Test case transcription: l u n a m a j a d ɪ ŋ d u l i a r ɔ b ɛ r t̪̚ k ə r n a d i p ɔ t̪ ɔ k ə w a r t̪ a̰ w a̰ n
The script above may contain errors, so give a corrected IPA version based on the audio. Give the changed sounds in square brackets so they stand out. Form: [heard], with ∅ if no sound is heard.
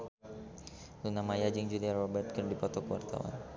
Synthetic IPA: l u n a m a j a [d͡ʒ] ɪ ŋ [d͡ʒ] u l i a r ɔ b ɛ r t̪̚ k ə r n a d i p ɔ t̪ ɔ k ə w a r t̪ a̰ w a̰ n